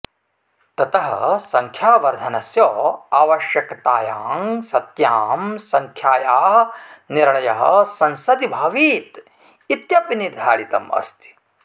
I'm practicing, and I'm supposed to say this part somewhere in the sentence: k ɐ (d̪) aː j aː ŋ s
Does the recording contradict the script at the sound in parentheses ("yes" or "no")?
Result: yes